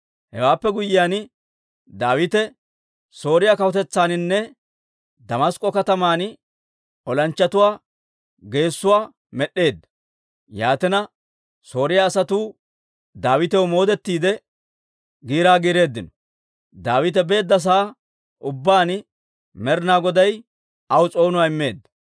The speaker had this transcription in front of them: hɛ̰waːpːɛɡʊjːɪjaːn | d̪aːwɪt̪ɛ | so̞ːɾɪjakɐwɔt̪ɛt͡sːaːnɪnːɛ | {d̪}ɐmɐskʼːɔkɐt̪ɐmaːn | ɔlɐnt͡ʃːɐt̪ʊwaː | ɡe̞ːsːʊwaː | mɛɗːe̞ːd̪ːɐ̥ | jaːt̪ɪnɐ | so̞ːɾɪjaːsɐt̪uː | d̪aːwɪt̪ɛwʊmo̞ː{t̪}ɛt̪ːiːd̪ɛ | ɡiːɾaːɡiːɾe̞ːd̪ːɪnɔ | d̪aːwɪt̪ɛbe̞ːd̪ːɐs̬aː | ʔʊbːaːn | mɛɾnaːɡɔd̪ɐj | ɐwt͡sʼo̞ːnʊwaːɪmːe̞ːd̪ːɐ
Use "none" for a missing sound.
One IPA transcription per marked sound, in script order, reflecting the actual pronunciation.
d̪, d̪

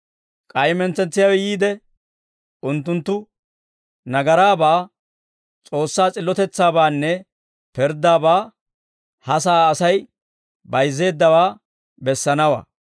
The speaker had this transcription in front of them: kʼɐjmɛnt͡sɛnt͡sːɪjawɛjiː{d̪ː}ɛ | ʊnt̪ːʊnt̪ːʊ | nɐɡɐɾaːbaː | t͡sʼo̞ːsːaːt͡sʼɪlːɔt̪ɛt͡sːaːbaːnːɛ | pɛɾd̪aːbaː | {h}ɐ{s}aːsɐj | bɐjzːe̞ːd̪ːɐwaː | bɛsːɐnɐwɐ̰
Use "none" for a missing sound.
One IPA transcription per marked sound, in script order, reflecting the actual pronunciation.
d̪, h, s

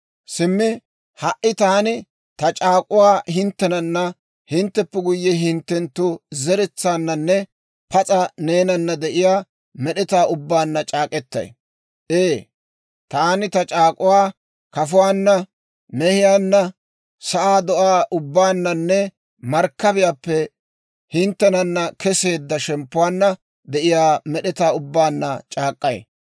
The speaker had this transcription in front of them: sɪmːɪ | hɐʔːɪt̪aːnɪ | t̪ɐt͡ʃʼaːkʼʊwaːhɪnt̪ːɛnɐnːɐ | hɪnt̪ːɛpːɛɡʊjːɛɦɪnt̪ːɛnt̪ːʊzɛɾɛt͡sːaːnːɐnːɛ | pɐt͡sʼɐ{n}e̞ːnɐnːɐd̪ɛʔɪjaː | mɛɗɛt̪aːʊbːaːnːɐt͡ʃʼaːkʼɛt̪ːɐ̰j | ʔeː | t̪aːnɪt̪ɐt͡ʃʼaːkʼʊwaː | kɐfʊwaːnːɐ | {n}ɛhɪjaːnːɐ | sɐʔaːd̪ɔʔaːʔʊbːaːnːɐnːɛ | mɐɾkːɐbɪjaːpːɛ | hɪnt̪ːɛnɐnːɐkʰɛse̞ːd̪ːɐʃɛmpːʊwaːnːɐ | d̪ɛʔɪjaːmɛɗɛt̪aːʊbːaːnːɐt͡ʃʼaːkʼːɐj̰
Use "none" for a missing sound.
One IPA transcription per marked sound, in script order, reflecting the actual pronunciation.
n, m

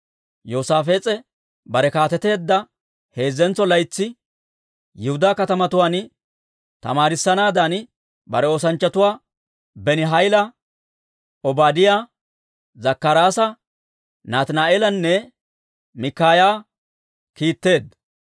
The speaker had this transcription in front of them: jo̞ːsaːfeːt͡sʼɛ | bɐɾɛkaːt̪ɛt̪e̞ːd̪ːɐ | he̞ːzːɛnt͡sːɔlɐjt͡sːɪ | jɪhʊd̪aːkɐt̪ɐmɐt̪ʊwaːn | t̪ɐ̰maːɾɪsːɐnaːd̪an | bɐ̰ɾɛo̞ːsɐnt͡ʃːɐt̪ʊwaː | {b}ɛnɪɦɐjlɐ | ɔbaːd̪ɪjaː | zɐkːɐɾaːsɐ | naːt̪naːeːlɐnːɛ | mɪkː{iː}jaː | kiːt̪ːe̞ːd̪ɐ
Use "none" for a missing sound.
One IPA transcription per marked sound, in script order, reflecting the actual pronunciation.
b, aː

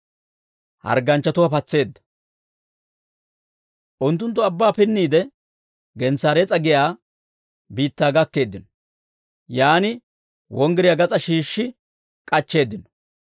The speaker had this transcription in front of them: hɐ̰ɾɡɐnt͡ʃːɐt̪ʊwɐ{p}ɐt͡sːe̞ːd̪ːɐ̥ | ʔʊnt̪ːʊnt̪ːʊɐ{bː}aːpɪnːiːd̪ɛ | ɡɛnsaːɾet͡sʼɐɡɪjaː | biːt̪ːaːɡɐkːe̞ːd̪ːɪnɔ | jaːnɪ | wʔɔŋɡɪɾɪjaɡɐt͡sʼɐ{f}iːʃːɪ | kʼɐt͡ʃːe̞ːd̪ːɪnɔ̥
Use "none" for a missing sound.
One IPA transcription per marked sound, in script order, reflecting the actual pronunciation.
p, bː, ʃ

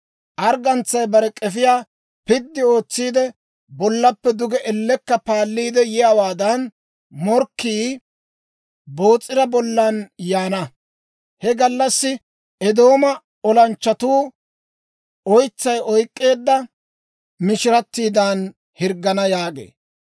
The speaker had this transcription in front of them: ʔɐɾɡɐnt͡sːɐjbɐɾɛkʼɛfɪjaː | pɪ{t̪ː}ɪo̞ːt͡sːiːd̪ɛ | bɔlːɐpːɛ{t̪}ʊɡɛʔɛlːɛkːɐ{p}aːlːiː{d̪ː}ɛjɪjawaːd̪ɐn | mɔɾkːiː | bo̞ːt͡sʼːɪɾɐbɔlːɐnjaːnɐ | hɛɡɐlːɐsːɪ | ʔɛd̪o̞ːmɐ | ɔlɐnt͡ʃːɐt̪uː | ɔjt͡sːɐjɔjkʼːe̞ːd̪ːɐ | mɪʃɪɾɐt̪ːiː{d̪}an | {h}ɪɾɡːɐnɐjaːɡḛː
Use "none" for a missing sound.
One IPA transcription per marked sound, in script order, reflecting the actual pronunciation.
d̪ː, d̪, p, d̪, d̪, h

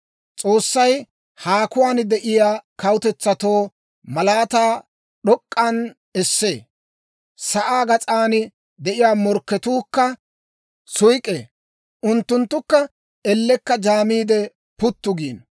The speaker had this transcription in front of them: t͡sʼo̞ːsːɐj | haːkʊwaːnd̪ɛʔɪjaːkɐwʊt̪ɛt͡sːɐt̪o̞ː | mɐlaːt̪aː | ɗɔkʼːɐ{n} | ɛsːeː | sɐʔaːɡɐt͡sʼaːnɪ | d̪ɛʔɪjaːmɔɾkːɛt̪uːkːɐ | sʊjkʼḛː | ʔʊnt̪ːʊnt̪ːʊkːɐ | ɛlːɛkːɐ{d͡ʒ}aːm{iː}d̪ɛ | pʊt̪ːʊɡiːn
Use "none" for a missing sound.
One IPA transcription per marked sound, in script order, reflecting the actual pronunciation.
n, d͡ʒ, iː

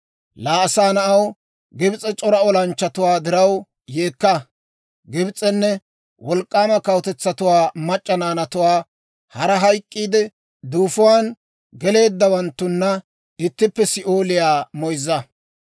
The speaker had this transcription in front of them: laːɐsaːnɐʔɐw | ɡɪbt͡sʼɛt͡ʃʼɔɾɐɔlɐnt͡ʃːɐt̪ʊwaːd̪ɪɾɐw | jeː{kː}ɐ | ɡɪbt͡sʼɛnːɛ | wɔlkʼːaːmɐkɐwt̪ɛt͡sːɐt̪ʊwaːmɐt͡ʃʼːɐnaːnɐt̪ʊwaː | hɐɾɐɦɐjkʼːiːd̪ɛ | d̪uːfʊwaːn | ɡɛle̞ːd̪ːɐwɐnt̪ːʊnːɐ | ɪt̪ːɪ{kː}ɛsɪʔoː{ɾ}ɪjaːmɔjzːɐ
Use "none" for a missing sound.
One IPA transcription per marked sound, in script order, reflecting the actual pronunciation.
kː, pː, l

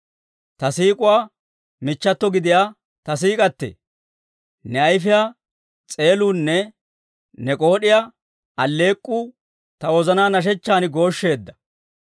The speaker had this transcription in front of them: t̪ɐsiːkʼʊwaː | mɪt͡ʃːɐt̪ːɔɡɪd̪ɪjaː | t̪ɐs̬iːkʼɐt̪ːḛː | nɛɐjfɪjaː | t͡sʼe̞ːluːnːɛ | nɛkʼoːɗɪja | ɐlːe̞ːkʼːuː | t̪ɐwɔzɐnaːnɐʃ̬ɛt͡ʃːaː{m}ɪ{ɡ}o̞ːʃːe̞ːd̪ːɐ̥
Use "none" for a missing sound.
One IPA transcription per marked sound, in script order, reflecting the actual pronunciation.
n, ɡ

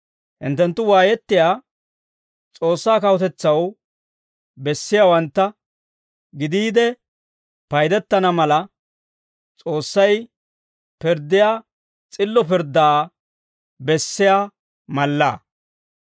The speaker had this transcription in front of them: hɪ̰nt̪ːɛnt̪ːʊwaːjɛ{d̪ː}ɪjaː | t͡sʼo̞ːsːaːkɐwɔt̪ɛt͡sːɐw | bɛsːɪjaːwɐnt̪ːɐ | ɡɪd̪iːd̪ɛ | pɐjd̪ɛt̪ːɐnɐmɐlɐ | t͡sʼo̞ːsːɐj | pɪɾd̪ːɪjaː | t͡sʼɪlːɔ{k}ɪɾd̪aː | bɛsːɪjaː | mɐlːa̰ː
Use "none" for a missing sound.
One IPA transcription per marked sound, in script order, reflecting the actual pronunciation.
t̪ː, p

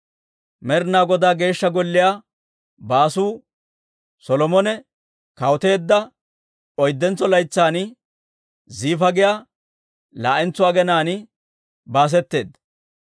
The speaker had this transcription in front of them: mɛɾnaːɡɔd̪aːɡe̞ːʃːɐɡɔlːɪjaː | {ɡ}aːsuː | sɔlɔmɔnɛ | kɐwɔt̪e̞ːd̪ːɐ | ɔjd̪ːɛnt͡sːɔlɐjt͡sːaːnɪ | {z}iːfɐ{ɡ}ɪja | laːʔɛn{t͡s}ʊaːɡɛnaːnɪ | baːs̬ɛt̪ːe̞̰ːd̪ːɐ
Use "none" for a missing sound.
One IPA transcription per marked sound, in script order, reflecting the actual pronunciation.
b, z, ɡ, t͡s

